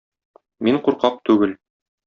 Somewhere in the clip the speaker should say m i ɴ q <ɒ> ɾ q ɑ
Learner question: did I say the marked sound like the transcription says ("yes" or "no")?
no